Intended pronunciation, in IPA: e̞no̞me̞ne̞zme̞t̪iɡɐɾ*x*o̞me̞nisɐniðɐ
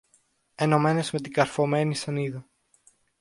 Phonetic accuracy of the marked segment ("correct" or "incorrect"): incorrect